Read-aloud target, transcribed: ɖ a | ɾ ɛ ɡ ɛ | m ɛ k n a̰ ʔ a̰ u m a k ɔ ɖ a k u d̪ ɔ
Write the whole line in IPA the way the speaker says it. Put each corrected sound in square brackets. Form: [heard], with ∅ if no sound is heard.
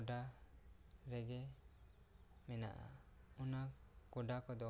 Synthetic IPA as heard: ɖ a | ɾ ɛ ɡ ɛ | m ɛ [∅] n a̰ ʔ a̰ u [n] a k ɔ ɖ a k [ɔ] d̪ ɔ